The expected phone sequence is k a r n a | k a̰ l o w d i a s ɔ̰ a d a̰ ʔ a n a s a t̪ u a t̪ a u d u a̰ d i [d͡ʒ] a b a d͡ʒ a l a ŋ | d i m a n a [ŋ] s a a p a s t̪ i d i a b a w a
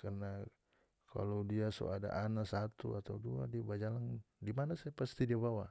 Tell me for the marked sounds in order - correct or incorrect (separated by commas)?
incorrect, incorrect